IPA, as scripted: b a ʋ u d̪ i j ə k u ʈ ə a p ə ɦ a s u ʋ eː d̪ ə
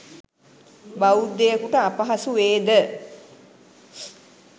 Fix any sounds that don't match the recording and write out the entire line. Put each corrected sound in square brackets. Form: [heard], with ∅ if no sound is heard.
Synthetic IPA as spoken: b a [∅] u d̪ [e] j ə k u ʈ ə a p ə ɦ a s u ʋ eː d̪ ə